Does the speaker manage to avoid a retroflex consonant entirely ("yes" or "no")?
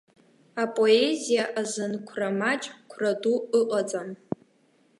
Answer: yes